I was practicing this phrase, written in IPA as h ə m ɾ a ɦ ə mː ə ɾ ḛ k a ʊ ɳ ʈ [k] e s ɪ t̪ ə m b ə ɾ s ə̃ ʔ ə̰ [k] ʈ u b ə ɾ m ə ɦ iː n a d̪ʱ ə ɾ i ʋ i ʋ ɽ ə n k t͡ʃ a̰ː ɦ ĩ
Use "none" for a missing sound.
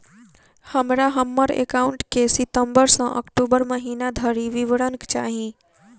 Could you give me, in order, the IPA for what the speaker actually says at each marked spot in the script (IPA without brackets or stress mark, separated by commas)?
k, k